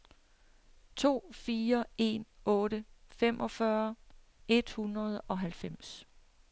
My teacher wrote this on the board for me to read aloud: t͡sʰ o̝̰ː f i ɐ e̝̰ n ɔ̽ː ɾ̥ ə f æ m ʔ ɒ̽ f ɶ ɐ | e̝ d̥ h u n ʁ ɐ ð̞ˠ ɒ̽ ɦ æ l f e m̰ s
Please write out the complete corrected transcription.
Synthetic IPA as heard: t͡sʰ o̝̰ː f iː ɐ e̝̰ n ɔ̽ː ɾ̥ ə f e m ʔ ɒ̽ f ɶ ɐ | e̝ d̥ h u n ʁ ɐ ð̞ˠ ɒ̽ ɦ æ l f e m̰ s